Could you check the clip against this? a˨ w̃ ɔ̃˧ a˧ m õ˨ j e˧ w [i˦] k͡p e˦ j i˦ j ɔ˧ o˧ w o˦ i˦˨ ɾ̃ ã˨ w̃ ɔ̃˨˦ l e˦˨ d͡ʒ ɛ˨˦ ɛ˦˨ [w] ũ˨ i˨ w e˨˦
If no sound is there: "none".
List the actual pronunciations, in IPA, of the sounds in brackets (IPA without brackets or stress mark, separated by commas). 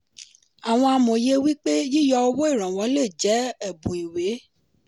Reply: i˦, b